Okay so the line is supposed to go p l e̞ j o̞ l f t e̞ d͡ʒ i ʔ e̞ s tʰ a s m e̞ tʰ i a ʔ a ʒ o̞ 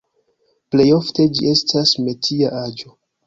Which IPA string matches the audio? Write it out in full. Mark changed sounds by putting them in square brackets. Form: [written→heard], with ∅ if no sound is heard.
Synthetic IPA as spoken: p l e̞ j o̞ [l→∅] f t e̞ d͡ʒ i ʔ e̞ s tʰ a s m e̞ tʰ i a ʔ a [ʒ→d͡ʒ] o̞